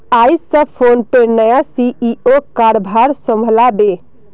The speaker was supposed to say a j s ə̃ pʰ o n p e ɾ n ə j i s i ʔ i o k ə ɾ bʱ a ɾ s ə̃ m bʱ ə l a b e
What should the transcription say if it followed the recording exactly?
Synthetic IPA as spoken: a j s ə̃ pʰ o n p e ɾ n ə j a s i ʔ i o k a ɾ bʱ a ɾ s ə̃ m bʱ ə l a b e